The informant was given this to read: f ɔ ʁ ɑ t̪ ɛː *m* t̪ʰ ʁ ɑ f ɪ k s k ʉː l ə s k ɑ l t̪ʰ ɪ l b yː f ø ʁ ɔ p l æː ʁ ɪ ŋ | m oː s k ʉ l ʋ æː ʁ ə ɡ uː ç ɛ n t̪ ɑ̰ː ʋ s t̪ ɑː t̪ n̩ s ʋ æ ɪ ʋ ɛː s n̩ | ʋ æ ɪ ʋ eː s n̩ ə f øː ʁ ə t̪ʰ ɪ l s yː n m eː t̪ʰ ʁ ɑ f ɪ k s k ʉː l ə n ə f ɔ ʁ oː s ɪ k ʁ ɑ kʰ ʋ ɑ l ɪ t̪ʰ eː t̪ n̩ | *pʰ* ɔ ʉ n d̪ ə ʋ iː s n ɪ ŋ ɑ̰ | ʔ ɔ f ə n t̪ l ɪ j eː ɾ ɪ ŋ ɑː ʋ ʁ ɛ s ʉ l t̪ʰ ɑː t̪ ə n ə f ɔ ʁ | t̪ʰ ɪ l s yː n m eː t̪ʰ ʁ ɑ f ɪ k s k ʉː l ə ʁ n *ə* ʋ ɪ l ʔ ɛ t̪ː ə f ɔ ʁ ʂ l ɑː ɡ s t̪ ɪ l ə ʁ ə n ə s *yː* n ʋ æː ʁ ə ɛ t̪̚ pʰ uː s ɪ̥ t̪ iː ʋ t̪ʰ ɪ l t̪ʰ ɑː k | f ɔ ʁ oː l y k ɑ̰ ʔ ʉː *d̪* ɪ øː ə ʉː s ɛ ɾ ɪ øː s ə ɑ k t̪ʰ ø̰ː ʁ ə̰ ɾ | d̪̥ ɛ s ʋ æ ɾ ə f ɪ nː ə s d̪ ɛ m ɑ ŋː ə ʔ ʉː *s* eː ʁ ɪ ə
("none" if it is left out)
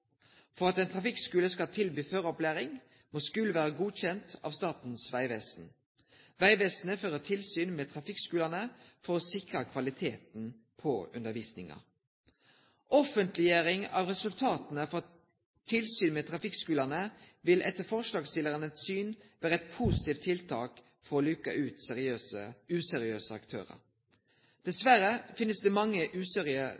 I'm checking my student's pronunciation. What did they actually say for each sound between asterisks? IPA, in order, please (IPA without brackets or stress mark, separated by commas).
n, pʰ, ə, yː, t̪, s